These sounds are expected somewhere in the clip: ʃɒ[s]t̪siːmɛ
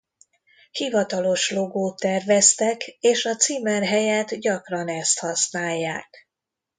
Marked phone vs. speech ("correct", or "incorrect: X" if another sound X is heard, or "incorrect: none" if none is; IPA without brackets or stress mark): incorrect: none